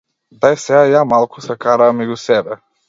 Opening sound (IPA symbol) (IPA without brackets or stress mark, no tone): d̪